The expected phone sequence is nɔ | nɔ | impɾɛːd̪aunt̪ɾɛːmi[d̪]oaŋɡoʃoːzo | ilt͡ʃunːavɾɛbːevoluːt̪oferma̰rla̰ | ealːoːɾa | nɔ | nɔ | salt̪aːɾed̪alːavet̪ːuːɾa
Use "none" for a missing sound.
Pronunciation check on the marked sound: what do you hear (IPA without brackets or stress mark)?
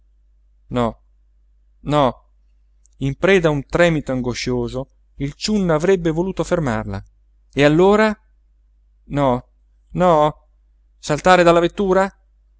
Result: t̪